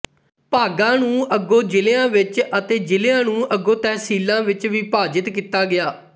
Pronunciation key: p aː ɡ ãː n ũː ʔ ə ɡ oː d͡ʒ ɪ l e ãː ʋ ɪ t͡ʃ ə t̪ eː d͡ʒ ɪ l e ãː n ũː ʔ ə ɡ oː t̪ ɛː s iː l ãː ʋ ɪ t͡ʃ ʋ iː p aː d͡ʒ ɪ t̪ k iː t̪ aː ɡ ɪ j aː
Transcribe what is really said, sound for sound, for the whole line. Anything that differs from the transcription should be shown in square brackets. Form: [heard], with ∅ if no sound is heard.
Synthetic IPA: p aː ɡ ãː n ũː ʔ ə ɡ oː d͡ʒ ɪ l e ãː ʋ ɪ t͡ʃ ə t̪ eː d͡ʒ ɪ l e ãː n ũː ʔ ə ɡ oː t̪ ɛː s iː l ãː ʋ ɪ t͡ʃ ʋ iː p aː d͡ʒ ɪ t̪ k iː t̪ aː ɡ ɪ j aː